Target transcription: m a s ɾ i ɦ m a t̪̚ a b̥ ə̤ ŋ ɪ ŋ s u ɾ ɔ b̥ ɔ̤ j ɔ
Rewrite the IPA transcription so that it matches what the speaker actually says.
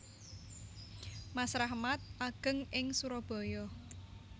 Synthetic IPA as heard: m a s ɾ a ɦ m a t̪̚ a ɡ̥ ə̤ ŋ ɪ ŋ s u ɾ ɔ b̥ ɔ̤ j ɔ